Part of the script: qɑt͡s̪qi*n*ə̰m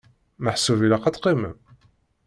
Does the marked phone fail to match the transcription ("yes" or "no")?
yes